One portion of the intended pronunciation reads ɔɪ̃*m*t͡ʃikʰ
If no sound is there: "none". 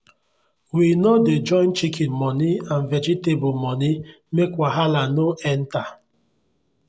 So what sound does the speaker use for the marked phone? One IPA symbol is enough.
n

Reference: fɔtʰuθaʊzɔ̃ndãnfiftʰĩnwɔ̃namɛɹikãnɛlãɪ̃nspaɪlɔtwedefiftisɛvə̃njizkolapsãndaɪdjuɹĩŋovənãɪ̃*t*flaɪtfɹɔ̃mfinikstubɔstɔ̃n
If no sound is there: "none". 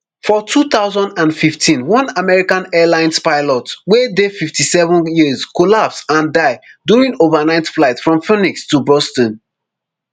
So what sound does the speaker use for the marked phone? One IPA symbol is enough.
t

